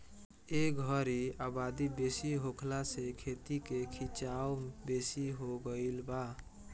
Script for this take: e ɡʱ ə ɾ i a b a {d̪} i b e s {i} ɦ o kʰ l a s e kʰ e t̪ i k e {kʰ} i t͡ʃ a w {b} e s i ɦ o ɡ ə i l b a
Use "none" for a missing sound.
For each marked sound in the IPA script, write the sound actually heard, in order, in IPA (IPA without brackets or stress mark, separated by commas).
d̪, i, kʰ, b